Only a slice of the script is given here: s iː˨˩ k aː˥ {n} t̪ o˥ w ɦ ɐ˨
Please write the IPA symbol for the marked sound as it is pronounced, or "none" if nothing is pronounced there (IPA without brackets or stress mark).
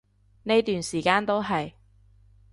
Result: n